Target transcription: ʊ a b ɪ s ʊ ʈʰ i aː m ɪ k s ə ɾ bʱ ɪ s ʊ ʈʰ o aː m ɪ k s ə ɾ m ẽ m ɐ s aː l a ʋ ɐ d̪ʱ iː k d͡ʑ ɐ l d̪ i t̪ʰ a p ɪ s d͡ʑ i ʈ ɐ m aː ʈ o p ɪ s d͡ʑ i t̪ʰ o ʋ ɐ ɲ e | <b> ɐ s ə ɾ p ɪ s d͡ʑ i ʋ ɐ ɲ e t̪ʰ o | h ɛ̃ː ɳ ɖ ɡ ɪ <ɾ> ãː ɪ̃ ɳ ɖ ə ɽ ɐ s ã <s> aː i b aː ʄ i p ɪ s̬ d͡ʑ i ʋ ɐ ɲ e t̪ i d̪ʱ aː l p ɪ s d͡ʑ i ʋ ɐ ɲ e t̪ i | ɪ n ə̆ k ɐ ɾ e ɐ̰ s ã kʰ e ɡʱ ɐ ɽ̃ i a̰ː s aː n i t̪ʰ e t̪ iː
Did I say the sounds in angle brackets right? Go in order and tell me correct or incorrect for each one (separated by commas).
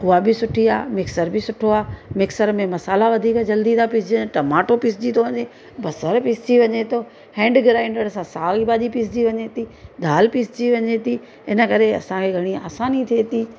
correct, correct, correct